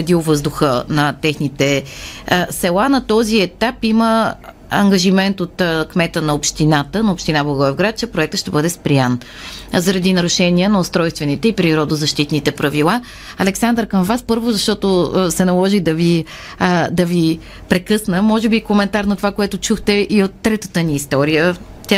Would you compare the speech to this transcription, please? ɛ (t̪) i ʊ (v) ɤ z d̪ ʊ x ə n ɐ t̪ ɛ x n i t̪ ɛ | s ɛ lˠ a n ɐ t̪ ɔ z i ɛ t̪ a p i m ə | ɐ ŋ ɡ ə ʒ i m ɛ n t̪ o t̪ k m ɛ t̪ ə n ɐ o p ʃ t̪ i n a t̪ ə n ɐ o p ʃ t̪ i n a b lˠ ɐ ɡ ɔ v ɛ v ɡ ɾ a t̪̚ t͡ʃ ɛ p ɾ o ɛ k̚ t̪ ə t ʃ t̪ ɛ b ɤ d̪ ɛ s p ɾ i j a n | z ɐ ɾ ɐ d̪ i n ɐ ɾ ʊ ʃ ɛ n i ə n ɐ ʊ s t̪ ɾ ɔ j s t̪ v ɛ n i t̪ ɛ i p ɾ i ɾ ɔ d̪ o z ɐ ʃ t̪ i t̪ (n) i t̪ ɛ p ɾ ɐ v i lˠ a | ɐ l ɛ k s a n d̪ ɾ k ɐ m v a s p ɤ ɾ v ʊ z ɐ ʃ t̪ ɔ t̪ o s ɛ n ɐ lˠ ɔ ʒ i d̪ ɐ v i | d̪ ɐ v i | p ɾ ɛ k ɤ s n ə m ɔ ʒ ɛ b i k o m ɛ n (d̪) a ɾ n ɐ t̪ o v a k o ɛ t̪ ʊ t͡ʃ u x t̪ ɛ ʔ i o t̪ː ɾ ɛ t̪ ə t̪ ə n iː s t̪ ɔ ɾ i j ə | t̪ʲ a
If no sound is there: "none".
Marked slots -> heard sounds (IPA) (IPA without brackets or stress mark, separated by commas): d̪, v, n, t̪